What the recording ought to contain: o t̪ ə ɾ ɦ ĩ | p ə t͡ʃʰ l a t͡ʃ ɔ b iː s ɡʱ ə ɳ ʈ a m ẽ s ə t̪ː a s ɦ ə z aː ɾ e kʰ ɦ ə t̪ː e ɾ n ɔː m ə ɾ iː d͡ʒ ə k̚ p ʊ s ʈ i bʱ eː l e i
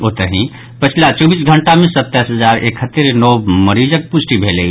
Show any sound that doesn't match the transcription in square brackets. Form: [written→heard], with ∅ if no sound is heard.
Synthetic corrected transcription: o t̪ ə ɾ ɦ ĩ | p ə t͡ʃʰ l a t͡ʃ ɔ b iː s ɡʱ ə ɳ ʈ a m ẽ s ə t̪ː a s ɦ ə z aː ɾ e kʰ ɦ ə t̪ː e ɾ n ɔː m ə ɾ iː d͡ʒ ə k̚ p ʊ s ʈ i bʱ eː l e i